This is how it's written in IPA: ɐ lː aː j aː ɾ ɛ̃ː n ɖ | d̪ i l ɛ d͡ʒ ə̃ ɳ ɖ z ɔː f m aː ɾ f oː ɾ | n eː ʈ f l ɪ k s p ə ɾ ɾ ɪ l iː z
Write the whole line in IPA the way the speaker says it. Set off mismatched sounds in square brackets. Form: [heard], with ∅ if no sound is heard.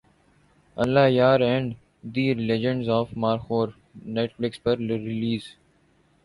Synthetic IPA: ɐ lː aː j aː ɾ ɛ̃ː [ɳ] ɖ | d̪ i l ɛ d͡ʒ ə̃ ɳ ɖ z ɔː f m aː ɾ [x] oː ɾ | n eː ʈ f l ɪ k s p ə ɾ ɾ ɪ l iː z